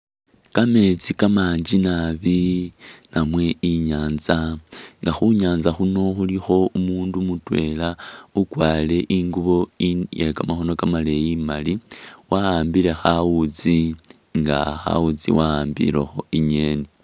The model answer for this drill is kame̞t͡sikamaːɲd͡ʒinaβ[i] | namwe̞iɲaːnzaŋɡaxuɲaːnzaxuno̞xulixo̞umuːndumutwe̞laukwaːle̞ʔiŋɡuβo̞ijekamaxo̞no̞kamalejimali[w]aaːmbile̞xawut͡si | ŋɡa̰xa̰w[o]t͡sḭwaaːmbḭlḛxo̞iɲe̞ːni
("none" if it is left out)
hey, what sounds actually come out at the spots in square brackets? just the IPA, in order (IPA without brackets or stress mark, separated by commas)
i, w, u